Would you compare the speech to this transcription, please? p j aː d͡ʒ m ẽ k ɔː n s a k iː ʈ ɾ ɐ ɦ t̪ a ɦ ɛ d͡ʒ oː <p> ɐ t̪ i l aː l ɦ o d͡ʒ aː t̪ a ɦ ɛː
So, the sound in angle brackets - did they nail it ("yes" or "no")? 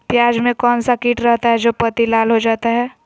yes